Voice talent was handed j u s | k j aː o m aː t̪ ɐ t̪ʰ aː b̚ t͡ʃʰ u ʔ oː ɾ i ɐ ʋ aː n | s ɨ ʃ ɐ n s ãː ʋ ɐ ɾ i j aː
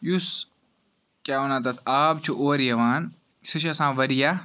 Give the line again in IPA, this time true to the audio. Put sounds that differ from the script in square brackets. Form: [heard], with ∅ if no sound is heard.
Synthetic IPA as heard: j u s | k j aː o [n] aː t̪ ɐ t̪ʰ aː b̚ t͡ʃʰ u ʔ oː ɾ [j] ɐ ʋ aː n | s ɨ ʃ ɐ [∅] s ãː ʋ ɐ ɾ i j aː